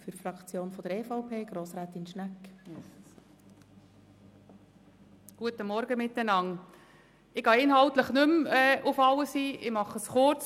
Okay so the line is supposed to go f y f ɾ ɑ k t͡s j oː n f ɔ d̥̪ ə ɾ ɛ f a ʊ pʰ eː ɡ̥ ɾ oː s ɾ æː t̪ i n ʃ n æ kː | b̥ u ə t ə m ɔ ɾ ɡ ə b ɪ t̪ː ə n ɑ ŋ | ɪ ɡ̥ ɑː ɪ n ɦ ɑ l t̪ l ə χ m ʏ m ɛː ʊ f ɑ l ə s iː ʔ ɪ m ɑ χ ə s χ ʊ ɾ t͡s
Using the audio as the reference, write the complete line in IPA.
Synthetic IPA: f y f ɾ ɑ k t͡s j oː n f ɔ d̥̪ ə ɾ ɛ f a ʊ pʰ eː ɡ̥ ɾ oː s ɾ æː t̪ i n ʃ n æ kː | ɡ̥ u ə t ə m ɔ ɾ ɡ ə m ɪ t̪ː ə n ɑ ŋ | ɪ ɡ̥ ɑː ɪ n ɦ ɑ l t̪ l ə χ n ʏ m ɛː ʊ f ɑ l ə s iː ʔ ɪ m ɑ χ ə s χ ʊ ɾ t͡s